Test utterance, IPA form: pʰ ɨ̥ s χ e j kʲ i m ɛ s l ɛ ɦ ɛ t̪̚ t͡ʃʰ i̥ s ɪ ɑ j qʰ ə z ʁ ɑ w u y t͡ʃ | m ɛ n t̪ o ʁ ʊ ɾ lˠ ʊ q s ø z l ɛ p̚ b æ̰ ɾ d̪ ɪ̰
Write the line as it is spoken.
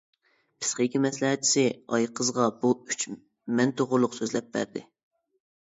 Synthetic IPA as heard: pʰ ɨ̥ s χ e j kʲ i m ɛ s l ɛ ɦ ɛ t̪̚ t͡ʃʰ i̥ s ɪ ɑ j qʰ ə z ʁ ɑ b u y t͡ʃ | m ɛ n t̪ o ʁ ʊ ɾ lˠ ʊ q s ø z l ɛ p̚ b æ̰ ɾ d̪ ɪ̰